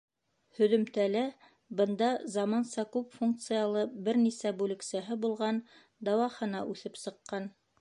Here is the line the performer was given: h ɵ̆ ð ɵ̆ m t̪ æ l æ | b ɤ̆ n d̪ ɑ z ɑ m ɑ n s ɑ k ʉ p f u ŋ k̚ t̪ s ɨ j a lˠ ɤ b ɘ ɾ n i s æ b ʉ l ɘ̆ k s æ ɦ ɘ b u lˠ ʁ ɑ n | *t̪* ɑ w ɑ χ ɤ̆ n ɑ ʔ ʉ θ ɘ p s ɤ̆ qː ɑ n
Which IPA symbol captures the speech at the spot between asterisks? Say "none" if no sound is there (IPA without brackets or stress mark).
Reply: d̪